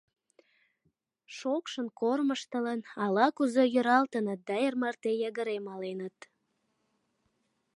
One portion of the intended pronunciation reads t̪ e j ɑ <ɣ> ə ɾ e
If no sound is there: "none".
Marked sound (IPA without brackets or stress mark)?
ɣ